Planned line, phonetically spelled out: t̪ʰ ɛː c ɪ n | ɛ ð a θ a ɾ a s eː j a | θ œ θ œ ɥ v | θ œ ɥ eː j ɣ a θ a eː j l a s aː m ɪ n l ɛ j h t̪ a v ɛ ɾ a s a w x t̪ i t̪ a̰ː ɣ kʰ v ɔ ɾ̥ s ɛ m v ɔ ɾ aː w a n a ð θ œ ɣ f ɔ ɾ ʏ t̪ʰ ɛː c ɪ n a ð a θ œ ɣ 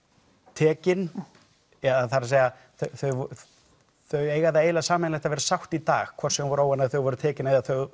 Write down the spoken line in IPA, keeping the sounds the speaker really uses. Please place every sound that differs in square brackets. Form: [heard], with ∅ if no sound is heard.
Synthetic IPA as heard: t̪ʰ ɛː c ɪ n | ɛ ð a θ a ɾ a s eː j a | θ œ θ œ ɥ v | θ œ ɥ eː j ɣ a [ð] a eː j l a s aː m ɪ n l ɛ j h t̪ a v ɛ ɾ a s a w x t̪ i t̪ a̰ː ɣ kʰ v ɔ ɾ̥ s ɛ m v ɔ ɾ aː w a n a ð θ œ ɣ [v] ɔ ɾ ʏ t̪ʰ ɛː c ɪ n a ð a θ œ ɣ